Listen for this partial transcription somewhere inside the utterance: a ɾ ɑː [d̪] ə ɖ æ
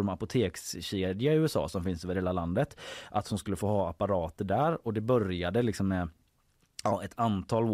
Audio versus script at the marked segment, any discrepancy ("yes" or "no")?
yes